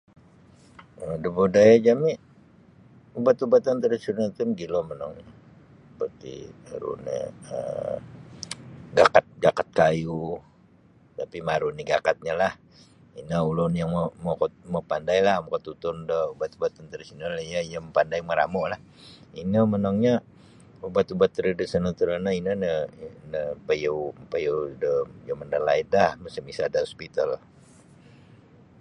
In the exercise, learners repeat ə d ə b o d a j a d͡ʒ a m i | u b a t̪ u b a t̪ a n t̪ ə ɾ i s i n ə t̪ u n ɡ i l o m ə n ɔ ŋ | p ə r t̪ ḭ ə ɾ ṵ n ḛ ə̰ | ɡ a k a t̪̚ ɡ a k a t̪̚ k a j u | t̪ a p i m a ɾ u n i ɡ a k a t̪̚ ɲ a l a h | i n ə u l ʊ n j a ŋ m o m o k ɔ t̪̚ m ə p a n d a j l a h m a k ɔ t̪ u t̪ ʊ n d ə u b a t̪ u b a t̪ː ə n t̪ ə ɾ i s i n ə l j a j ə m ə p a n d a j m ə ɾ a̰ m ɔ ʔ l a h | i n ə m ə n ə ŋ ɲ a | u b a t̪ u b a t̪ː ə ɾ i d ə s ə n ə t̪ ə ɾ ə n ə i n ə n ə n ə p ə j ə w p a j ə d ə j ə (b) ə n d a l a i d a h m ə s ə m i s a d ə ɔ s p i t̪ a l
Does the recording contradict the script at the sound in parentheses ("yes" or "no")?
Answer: yes